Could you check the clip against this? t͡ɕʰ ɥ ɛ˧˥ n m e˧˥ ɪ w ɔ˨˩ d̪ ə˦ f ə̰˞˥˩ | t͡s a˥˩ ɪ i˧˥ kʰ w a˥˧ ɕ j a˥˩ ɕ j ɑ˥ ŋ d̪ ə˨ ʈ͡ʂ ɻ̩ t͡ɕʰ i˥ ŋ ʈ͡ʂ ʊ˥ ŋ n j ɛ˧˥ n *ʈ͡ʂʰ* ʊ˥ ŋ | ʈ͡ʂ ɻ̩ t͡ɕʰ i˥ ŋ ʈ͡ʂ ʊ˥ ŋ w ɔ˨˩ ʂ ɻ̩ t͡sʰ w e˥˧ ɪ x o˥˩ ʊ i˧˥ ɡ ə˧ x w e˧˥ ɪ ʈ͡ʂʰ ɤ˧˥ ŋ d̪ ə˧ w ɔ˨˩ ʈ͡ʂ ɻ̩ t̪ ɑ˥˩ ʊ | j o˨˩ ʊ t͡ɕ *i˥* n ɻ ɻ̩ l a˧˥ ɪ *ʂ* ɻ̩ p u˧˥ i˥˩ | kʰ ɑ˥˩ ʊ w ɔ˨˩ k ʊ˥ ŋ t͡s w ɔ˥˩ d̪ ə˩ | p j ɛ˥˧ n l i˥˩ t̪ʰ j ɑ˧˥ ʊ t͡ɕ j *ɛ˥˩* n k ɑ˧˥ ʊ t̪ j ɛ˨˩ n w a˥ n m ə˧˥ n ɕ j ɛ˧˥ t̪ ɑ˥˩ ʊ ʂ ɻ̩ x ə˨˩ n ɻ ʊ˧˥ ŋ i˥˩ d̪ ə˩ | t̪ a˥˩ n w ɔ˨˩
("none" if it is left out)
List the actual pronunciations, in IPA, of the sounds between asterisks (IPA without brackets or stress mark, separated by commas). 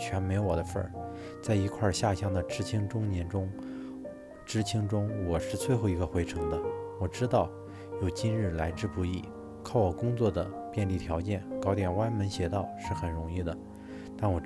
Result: ʈ͡ʂ, i˥, ʈ͡ʂ, ɛ˥˩